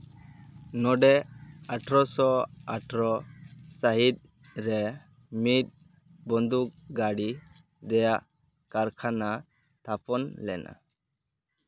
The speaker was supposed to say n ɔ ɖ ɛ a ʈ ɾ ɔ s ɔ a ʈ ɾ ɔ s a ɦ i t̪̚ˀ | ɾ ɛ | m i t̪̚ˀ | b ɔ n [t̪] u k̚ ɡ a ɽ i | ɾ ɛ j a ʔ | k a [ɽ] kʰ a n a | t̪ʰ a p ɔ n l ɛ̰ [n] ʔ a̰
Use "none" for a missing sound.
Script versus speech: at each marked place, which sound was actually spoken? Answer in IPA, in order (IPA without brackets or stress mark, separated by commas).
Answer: d̪, ɾ, n